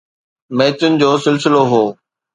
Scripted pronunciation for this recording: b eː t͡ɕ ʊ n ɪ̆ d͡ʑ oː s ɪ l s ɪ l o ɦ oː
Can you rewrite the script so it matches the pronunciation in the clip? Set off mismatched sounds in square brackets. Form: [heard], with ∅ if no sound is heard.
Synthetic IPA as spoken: [m] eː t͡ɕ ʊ n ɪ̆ d͡ʑ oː s ɪ l s ɪ l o ɦ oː